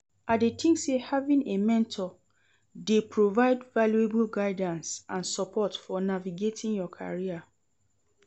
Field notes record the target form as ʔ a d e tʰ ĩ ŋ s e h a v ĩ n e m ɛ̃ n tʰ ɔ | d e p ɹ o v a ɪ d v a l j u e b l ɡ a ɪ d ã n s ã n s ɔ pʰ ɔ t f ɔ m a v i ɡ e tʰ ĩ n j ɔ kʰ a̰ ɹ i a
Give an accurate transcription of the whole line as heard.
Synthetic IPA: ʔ a d e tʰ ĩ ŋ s e h a v ĩ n e m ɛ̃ n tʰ ɔ | d e p ɹ o v a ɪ d v a l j u e b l ɡ a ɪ d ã n s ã n s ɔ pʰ ɔ t f ɔ n a v i ɡ e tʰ ĩ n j ɔ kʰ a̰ ɹ i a

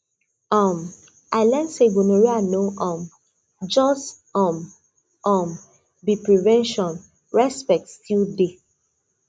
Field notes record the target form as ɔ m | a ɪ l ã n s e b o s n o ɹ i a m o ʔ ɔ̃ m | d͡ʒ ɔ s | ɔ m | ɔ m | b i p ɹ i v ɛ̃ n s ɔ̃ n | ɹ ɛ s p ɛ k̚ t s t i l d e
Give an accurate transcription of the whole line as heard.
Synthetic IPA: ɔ m | a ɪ l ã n s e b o n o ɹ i a n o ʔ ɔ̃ m | d͡ʒ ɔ s | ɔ m | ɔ m | b i p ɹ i v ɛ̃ n ʃ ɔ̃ n | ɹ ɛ s p ɛ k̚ t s t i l d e

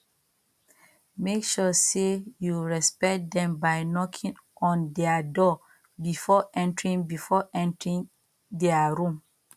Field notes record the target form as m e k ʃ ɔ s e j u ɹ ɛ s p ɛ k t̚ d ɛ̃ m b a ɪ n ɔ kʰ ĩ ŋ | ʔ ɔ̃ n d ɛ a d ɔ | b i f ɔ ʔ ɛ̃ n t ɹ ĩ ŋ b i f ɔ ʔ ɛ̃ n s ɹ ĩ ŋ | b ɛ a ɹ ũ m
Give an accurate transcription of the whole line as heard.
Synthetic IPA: m e k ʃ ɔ s e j u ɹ ɛ s p ɛ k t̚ d ɛ̃ m b a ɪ n ɔ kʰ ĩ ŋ | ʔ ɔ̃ n d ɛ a d ɔ | b i f ɔ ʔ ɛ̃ n t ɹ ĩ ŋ b i f ɔ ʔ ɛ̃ n t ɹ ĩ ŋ | d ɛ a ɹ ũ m

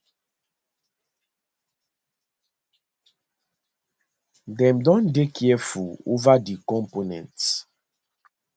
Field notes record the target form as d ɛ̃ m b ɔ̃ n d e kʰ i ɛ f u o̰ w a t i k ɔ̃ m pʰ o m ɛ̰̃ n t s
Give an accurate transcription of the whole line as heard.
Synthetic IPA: d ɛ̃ m d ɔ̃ n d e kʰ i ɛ f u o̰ v a d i k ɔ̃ m p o n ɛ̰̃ n t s

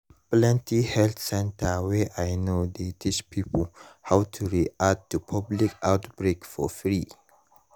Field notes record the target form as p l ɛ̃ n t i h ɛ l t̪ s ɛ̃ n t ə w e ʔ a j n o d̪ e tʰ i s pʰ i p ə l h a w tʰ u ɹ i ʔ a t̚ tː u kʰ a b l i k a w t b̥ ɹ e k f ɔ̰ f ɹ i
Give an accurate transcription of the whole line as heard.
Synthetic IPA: p l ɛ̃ n t i h ɛ l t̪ s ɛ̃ n t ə w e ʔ a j n o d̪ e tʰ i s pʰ i p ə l h a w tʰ u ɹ i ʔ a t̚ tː u pʰ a b l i k a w t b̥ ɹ e k f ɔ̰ f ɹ i

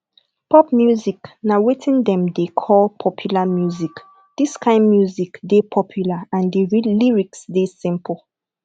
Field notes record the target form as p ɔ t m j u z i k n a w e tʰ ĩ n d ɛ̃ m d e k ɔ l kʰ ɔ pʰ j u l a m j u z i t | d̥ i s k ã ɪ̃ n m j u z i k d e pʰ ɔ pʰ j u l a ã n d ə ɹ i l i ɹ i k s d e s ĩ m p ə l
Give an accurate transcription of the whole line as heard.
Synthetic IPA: p ɔ p m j u z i k n a w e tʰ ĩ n d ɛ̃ m d e kʰ ɔ l pʰ ɔ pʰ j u l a m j u z i k | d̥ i s k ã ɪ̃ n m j u z i k d e pʰ ɔ pʰ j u l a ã n d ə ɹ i l i ɹ i k s d e s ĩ m p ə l

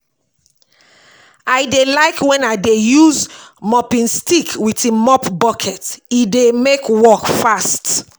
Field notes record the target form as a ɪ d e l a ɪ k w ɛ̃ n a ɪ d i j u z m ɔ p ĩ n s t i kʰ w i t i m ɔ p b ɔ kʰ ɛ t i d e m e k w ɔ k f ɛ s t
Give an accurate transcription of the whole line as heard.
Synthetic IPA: a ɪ d e l a ɪ k w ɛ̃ n a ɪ d e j u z m ɔ p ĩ n s t i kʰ w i t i m ɔ p b ɔ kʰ ɛ t i d e m e k w ɔ k f a s t

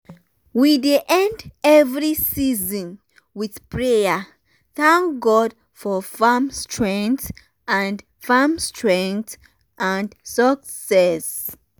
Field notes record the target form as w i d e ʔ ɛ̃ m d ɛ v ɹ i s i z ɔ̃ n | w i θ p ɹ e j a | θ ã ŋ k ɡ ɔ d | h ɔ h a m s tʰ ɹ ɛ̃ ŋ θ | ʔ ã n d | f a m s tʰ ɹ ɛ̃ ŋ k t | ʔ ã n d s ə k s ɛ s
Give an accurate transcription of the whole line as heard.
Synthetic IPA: w i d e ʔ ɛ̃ n d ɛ v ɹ i s i z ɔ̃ n | w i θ p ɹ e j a | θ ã ŋ k ɡ ɔ d | f ɔ f a m s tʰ ɹ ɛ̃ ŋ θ | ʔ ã n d | f a m s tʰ ɹ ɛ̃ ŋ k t | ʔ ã n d s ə k s ɛ s

